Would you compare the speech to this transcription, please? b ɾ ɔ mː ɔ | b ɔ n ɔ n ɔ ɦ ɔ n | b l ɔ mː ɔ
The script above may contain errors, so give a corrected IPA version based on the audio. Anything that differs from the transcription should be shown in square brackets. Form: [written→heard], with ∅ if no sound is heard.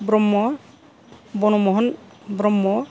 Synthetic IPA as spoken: b ɾ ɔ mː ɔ | b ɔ n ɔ [n→m] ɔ ɦ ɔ n | b [l→ɾ] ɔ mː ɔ